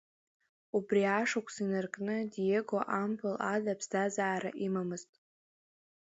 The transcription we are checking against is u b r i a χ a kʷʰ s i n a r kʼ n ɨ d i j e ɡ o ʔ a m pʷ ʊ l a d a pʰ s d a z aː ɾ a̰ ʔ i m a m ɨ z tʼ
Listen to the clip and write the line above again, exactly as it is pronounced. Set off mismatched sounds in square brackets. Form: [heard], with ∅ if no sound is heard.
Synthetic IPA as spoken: u b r i a [ʂ] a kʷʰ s i n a r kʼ n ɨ d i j e ɡ o ʔ a m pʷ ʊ l a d a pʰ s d a z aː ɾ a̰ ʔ i m a m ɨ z tʼ